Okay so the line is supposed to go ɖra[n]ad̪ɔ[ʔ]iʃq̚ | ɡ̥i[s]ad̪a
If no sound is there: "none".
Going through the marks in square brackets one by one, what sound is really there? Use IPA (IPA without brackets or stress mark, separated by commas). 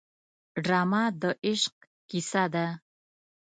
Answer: m, ʔ, s